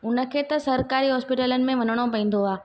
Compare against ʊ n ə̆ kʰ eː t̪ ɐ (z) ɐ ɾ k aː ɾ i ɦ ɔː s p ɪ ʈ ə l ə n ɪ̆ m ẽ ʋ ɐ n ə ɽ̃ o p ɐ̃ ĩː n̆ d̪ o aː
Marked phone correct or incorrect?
incorrect